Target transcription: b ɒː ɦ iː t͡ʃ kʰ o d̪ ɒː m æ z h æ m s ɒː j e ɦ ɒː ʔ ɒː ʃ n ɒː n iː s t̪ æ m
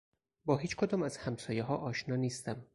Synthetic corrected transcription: b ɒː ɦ iː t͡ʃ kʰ o d̪ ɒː m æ z h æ m s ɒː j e ɦ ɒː ʔ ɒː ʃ n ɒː n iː s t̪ æ m

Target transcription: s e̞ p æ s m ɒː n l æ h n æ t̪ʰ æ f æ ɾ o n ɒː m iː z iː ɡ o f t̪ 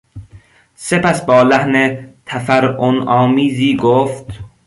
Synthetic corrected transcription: s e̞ p æ s b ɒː l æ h n e t̪ʰ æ f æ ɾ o n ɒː m iː z iː ɡ o f t̪

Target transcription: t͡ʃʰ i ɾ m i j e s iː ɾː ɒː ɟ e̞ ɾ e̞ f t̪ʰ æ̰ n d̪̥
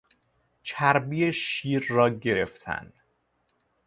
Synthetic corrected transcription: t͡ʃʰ æ ɾ b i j e ʃ iː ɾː ɒː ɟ e̞ ɾ e̞ f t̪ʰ æ̰ n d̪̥

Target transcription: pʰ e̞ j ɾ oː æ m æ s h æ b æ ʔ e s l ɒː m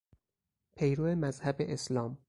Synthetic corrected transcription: pʰ e̞ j ɾ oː e m æ z h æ b e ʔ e s l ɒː m

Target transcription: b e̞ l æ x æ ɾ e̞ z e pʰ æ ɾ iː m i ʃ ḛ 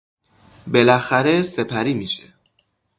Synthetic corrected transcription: b e̞ l æ x æ ɾ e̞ s e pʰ æ ɾ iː m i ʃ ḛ

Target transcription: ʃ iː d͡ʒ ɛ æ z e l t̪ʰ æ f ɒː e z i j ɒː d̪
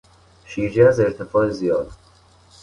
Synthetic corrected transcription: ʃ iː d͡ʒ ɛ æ z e ɾ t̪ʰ e f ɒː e z i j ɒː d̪

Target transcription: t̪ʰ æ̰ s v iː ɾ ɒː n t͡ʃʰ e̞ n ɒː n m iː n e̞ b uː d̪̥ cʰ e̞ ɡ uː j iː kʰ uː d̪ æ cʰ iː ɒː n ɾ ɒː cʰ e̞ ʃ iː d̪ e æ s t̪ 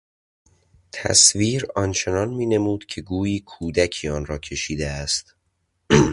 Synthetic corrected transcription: t̪ʰ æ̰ s v iː ɾ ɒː n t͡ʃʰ e̞ n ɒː n m iː n e̞ m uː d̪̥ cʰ e̞ ɡ uː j iː kʰ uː d̪ æ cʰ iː ɒː n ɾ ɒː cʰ e̞ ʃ iː d̪ e æ s t̪

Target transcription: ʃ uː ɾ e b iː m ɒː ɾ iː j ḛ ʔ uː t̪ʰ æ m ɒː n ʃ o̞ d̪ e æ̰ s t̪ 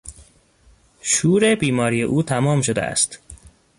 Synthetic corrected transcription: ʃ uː ɾ e b iː m ɒː ɾ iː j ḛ ʔ uː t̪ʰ æ m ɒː m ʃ o̞ d̪ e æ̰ s t̪

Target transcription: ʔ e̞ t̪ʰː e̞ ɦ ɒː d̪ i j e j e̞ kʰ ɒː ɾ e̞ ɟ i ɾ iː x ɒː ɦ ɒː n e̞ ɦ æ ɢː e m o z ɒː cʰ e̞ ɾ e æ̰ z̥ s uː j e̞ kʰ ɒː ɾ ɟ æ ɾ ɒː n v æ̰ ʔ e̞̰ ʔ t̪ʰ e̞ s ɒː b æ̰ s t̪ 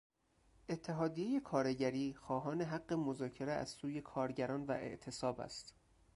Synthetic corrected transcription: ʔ e̞ t̪ʰː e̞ ɦ ɒː d̪ i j e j e̞ kʰ ɒː ɾ e̞ ɟ æ ɾ iː x ɒː ɦ ɒː n e̞ ɦ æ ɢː e m o z ɒː cʰ e̞ ɾ e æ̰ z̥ s uː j e̞ kʰ ɒː ɾ ɟ æ ɾ ɒː n v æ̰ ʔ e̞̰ ʔ t̪ʰ e̞ s ɒː b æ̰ s t̪

